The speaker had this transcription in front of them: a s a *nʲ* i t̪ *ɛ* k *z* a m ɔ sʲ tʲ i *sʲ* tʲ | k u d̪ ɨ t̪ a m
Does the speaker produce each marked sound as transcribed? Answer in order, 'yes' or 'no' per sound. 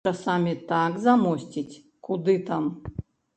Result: no, no, yes, no

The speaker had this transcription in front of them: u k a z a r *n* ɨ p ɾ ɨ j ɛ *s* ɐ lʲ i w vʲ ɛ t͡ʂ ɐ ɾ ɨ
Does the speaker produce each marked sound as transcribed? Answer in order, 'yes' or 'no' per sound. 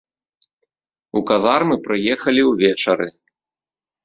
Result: no, no

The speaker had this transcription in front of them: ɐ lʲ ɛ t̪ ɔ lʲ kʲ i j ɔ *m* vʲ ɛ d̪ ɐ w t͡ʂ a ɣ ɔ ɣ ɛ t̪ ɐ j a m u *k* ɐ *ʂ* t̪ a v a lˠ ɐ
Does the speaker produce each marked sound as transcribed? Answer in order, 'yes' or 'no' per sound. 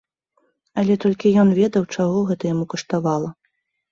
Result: no, yes, yes

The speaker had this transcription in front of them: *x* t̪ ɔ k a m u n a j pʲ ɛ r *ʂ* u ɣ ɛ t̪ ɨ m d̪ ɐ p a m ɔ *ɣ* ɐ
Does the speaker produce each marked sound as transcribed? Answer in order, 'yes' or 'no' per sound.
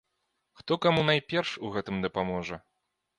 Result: yes, yes, no

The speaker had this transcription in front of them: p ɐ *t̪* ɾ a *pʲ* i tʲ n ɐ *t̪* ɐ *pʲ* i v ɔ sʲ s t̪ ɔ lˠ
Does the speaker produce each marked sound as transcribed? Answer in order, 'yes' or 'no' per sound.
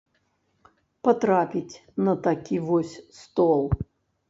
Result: yes, yes, yes, no

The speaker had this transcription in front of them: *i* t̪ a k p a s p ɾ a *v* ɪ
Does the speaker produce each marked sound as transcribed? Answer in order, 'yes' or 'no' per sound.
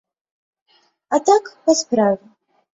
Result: no, yes

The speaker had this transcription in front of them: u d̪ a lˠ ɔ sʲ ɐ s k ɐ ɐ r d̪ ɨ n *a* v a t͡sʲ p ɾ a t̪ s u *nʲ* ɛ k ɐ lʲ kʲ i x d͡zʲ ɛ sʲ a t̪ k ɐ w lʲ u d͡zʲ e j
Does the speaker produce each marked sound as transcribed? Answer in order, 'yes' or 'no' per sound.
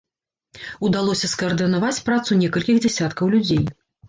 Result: yes, yes

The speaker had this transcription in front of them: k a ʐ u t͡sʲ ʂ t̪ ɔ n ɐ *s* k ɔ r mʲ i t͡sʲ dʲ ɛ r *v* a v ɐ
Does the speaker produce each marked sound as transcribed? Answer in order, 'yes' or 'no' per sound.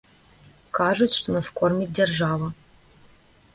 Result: yes, no

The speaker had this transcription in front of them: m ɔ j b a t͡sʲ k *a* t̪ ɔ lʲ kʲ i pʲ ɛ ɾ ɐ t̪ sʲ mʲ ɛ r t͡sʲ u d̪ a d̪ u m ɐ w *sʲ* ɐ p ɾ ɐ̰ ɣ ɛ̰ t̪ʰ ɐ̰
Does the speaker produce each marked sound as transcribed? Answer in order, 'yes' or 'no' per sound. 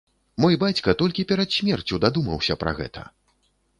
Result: no, yes

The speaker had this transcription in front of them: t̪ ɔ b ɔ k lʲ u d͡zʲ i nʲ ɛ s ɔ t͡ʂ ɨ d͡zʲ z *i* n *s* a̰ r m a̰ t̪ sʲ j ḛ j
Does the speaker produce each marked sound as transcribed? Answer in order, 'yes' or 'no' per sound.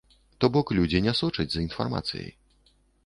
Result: yes, no

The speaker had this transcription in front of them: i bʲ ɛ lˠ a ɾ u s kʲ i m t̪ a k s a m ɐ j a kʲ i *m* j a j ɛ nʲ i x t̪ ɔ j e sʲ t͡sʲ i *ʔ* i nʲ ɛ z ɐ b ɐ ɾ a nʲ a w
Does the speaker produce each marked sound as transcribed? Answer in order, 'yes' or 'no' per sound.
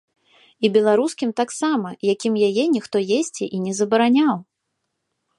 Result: yes, yes

